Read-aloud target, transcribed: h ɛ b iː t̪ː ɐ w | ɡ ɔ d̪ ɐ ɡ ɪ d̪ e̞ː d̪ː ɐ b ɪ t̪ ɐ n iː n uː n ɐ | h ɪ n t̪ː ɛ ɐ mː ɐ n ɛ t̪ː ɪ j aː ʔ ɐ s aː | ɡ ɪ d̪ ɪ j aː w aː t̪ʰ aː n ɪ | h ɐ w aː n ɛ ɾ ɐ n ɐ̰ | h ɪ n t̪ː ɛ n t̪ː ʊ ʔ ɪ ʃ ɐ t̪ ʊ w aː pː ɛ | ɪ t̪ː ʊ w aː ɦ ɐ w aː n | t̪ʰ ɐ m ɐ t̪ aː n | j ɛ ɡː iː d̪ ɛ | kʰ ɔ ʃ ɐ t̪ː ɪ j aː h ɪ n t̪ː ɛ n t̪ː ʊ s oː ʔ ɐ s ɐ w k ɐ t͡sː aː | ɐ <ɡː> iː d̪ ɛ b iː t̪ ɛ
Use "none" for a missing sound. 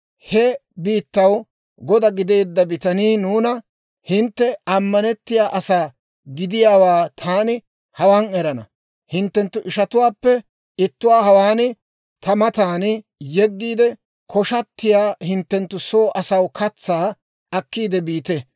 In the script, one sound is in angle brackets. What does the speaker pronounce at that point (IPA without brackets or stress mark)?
kː